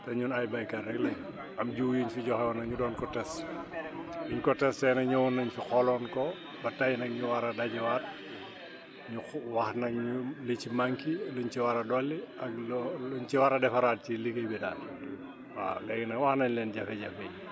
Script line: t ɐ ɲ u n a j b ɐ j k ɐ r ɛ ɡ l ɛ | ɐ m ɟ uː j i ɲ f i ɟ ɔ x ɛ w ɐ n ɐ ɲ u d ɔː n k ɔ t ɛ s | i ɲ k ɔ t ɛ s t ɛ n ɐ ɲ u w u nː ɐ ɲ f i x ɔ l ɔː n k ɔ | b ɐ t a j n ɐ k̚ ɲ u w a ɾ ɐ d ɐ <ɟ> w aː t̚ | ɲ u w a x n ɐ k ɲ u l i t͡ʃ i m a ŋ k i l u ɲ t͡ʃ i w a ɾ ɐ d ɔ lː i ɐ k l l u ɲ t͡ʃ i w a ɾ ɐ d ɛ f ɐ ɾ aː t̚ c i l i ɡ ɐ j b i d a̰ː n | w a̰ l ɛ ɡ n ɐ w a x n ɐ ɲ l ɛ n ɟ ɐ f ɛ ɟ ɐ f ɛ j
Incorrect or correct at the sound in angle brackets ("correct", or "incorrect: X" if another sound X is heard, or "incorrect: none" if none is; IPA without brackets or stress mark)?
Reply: correct